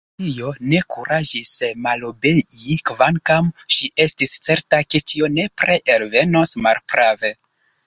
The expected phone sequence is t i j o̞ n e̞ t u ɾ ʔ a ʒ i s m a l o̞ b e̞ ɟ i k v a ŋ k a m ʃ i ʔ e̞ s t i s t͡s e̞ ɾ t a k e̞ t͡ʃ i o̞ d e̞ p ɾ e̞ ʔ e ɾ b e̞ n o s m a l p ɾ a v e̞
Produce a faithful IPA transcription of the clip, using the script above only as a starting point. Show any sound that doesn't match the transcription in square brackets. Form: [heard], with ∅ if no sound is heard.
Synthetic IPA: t i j o̞ n e̞ [k] u ɾ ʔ a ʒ i s m a l o̞ b e̞ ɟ i k v a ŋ k a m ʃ i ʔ e̞ s t i s t͡s e̞ ɾ t a k e̞ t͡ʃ i o̞ [n] e̞ p ɾ e̞ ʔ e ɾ [v] e̞ n o s m a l p ɾ a v e̞